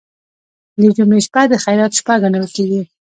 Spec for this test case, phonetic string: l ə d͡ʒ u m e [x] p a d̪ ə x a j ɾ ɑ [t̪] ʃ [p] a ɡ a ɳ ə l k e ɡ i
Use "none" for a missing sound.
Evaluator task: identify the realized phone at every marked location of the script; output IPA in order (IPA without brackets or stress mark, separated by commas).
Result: ʃ, t̪, p